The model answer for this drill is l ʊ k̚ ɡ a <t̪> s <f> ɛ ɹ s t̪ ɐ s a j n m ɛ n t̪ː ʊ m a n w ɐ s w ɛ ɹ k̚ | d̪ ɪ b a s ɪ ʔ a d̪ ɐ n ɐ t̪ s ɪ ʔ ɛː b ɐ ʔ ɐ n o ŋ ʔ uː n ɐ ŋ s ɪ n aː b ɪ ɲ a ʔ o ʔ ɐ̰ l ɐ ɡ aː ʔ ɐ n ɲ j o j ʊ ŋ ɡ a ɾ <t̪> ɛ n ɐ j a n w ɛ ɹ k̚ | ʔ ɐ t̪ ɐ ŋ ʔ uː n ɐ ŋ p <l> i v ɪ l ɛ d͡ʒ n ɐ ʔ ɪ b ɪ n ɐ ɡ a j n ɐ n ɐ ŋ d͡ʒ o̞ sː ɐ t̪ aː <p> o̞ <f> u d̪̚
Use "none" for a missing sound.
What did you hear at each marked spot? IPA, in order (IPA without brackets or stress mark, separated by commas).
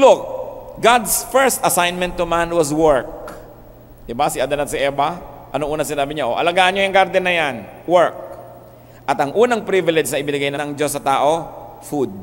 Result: d̪, f, d̪, ɾ, ʔ, f